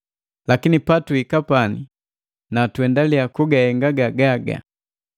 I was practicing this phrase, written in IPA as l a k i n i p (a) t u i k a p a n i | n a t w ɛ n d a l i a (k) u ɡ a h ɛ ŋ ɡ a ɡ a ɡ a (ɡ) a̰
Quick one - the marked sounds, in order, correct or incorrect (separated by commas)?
correct, correct, correct